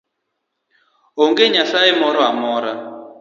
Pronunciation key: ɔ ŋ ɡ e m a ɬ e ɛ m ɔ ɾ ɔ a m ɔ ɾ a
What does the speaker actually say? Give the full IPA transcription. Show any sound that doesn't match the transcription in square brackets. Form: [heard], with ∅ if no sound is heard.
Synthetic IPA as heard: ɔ ŋ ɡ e [ɲ] a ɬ [a] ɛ m ɔ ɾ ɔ a m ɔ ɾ a